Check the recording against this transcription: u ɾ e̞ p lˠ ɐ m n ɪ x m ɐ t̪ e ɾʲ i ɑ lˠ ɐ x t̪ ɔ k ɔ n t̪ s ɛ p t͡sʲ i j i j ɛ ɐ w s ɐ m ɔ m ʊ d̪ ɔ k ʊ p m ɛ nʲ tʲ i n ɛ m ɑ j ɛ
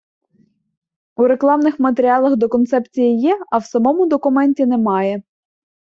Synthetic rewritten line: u ɾ e̞ k lˠ ɑ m n ɪ x m ɐ t̪ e ɾʲ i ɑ lˠ ɐ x d̪ ɔ k ɔ n t̪ s ɛ p t͡sʲ i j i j ɛ ɐ w s ɐ m ɔ m ʊ d̪ ɔ k ʊ m ɛ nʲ tʲ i n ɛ m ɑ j ɛ